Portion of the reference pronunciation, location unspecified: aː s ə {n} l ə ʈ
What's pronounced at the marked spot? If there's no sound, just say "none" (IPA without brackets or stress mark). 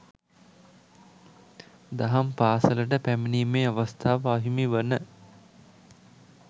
none